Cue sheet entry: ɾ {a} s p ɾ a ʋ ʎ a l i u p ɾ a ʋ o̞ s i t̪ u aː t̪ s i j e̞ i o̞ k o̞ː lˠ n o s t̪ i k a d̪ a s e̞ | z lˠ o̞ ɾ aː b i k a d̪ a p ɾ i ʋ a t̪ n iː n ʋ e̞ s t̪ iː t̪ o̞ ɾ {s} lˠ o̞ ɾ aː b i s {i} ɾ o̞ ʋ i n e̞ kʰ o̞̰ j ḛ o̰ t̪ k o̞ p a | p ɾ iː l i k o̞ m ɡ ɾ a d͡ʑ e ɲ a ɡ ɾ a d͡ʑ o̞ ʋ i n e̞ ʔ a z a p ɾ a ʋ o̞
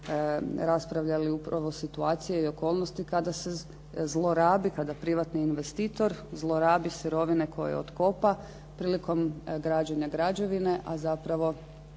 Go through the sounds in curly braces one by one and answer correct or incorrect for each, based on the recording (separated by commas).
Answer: correct, incorrect, correct